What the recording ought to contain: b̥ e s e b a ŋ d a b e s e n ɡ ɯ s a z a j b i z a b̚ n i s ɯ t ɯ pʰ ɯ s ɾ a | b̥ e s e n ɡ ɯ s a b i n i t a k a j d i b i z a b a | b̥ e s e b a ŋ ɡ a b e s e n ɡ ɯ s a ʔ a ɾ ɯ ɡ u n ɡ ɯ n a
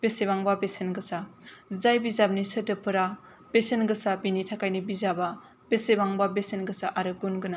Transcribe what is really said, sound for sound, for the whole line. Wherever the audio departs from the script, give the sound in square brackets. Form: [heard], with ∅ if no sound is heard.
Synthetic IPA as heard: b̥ e s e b a ŋ [b] a b e s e n ɡ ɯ s a z a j b i z a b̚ n i s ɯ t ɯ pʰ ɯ [∅] ɾ a | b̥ e s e n ɡ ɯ s a b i n i [tʰ] a k a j [n] i b i z a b a | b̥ e s e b a ŋ [b] a b e s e n ɡ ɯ s a ʔ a ɾ ɯ ɡ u n ɡ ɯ n a